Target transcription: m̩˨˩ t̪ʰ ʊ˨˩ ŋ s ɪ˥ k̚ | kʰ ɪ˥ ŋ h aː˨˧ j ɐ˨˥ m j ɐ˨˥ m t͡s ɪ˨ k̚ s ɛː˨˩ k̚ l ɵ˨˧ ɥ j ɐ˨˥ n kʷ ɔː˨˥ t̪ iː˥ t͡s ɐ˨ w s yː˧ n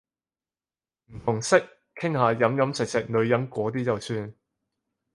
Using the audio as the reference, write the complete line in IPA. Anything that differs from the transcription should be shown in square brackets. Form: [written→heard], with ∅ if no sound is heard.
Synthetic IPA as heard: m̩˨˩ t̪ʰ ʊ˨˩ ŋ s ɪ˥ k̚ | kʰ ɪ˥ ŋ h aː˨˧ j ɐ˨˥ m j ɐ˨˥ m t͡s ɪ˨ k̚ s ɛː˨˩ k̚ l ɵ˨˧ ɥ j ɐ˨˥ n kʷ ɔː˨˥ t̪ iː˥ t͡s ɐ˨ w s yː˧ n